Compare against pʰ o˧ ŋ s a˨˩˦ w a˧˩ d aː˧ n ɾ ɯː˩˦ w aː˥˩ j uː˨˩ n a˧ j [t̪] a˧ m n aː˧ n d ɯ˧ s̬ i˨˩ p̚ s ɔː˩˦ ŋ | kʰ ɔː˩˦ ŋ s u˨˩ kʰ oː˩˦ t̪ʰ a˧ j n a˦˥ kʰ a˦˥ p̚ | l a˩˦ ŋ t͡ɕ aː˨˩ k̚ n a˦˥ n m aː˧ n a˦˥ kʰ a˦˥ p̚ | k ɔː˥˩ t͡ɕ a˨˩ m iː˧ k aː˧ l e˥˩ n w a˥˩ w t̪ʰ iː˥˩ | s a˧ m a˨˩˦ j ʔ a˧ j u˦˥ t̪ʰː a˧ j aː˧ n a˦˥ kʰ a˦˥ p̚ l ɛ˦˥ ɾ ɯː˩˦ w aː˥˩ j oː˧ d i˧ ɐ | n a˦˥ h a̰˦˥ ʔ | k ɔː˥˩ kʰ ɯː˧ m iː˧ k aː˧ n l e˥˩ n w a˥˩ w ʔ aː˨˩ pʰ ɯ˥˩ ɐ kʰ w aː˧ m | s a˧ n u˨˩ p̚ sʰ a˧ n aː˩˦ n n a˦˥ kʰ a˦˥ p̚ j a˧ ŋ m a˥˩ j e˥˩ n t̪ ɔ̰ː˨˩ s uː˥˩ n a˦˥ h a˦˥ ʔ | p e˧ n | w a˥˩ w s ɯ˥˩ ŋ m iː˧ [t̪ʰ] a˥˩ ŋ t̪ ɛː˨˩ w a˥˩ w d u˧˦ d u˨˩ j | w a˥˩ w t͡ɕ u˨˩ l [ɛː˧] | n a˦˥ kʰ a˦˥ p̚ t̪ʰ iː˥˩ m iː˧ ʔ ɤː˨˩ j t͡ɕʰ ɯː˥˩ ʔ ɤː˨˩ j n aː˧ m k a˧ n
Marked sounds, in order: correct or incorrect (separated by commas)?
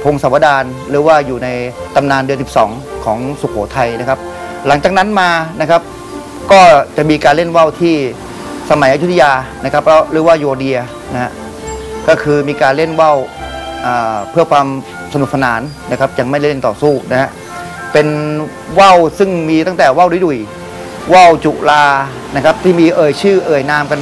correct, incorrect, incorrect